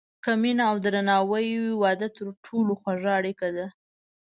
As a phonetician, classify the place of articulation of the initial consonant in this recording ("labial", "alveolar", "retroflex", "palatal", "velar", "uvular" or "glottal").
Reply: velar